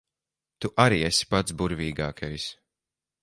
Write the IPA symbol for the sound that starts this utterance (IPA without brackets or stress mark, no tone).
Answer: t̪